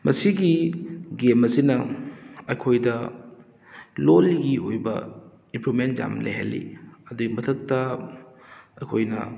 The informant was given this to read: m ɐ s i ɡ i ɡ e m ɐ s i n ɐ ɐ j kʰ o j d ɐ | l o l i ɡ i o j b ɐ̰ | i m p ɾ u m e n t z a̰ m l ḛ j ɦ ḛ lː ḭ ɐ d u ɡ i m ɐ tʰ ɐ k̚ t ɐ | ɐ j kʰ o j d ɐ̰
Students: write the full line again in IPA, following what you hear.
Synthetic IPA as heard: m ɐ s i ɡ i ɡ e m ɐ s i n ɐ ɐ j kʰ o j d ɐ | l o l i ɡ i o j b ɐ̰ | i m p ɾ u m e n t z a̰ m l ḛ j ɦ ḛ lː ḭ ɐ d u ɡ i m ɐ tʰ ɐ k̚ t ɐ | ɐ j kʰ o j n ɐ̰